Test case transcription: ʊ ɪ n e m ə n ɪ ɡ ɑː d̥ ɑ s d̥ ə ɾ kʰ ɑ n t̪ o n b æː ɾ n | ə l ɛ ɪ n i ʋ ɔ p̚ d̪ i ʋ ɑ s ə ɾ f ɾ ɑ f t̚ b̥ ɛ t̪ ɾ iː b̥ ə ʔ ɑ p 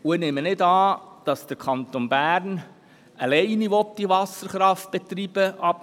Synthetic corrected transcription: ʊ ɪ n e m ə n ɪ d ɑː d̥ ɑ s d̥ ə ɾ kʰ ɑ n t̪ o n b æː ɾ n | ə l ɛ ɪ n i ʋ ɔ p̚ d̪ i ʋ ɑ s ə ɾ χ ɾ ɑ f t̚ b̥ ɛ t̪ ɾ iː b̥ ə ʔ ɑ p